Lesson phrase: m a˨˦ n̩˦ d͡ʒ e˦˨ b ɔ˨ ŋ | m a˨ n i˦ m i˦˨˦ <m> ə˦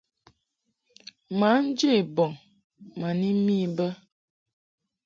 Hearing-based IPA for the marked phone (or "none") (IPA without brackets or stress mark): b